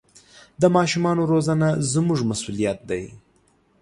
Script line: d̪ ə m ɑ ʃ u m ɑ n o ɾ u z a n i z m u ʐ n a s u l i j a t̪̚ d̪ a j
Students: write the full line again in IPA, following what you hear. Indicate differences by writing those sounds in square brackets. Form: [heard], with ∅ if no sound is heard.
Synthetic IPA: d̪ ə m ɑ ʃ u m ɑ n o ɾ [o] z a n [a] z m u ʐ [m] a s u l i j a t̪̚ d̪ a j

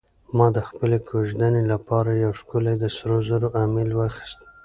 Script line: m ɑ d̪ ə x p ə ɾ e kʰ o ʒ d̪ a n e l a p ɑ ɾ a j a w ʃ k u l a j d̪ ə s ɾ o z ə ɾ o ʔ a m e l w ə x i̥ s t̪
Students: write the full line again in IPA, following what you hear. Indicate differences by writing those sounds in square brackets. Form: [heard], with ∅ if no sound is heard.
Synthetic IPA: m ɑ d̪ ə x p ə [l] e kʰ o ʒ d̪ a n e l a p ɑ ɾ a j a w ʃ k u l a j d̪ ə s ɾ o z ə ɾ o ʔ a m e l w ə x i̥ s t̪

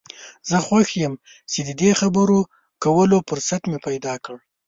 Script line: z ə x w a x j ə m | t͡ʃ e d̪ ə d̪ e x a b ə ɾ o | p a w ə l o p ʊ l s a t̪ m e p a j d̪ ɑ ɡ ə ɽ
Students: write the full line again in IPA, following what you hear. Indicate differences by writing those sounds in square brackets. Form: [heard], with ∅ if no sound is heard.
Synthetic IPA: z ə x w a x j ə m | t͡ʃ e d̪ ə d̪ e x a b ə ɾ o | [k] a w ə l o p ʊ [ɾ] s a t̪ m e p a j d̪ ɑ [k] ə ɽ

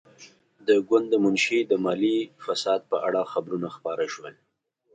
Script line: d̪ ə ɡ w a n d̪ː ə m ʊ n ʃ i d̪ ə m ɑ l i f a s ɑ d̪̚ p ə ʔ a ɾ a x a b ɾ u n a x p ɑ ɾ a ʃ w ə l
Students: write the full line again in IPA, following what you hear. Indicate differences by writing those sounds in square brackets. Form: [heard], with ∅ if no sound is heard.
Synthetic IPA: d̪ ə ɡ w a n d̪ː ə m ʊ n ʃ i d̪ ə m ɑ l i f a s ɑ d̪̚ p ə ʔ a [ɽ] a x a b ɾ u n a x p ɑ ɾ a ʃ w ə l

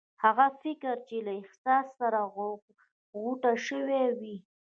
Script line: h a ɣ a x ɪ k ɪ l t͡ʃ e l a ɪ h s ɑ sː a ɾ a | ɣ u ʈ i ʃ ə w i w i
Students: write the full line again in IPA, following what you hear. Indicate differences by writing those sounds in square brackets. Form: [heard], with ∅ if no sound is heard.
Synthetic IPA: h a ɣ a [f] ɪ k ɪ [ɾ] t͡ʃ e l a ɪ h s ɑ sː a ɾ a | ɣ u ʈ [a] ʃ ə w [e] w i

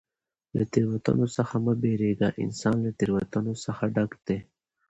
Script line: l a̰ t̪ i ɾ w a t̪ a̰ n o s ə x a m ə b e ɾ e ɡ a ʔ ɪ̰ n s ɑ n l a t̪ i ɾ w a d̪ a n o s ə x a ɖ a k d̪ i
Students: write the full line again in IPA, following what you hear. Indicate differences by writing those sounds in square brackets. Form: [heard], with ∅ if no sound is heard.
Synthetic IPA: l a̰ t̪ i ɾ w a t̪ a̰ n o s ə x a m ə b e ɾ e ɡ a ʔ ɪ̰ n s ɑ n l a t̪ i ɾ w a [t̪] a n o s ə x a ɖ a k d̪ [e]

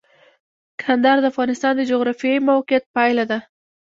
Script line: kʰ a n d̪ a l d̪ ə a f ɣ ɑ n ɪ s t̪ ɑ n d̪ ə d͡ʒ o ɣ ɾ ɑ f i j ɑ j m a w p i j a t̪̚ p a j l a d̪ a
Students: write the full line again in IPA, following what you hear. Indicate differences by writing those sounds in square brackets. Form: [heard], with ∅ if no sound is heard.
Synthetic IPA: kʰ a n d̪ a [ɾ] d̪ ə a f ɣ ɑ n ɪ s t̪ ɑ n d̪ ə d͡ʒ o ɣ ɾ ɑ f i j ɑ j m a w [q] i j a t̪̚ p a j l a d̪ a

